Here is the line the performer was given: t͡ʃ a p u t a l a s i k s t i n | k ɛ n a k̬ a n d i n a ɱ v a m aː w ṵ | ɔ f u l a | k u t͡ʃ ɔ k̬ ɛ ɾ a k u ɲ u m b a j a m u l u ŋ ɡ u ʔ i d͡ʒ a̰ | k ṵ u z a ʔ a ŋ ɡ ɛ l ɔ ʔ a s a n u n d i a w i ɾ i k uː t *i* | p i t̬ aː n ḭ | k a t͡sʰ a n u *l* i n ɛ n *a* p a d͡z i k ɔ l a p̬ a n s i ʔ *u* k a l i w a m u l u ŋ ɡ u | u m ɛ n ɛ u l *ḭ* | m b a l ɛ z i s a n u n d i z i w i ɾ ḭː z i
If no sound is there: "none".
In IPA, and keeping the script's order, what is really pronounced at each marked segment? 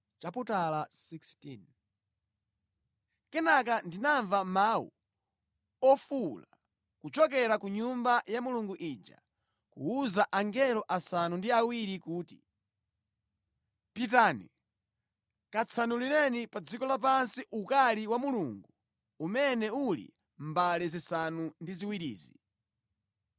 i, l, i, u, ḭ

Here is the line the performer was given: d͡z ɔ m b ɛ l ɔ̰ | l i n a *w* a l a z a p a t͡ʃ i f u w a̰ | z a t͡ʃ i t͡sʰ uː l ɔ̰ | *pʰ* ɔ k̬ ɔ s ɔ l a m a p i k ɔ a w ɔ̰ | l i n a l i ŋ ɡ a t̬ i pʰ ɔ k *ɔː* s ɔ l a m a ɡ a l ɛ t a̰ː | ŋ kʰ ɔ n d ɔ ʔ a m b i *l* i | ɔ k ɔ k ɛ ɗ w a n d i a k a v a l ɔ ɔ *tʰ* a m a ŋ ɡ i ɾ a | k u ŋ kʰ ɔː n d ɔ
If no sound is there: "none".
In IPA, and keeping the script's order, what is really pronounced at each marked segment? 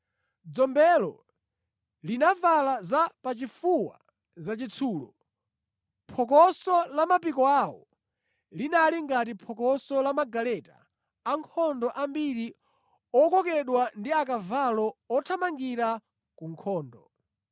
v, pʰ, ɔ, ɾ, tʰ

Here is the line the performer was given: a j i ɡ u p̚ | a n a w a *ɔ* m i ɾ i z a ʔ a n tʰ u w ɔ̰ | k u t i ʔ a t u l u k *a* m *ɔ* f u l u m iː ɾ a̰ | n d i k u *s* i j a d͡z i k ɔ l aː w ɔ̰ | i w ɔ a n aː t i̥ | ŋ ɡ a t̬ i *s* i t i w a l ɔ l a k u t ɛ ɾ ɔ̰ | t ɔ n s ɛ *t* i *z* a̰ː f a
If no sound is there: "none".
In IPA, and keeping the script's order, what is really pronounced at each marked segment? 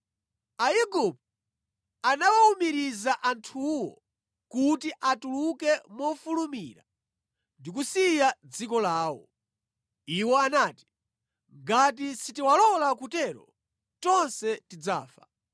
u, ɛ, ɔ, s, s, t, d͡z

